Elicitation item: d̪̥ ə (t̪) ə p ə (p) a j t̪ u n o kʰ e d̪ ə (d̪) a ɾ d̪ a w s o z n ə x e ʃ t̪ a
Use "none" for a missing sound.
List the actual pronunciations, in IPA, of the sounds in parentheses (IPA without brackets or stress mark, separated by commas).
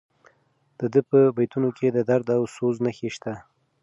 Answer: d̪, b, d̪